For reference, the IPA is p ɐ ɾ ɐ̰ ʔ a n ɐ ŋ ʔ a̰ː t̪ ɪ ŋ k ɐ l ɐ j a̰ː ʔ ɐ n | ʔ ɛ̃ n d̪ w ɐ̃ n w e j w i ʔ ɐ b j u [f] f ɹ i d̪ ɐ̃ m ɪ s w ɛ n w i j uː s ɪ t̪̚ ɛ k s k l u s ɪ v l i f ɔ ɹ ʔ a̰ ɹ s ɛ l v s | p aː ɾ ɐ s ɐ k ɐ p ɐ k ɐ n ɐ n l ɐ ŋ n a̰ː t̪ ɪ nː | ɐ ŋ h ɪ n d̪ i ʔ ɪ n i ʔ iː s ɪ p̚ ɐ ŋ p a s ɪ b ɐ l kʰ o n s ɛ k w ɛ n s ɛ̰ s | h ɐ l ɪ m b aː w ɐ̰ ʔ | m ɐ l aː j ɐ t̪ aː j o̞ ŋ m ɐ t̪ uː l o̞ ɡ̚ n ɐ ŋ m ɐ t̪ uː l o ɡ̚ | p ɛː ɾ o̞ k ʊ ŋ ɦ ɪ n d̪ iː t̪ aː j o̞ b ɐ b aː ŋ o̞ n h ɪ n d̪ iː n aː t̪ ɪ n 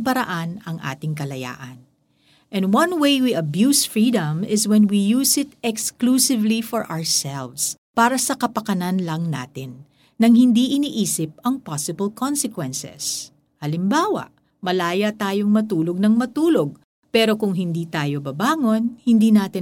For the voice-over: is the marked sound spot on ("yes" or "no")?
no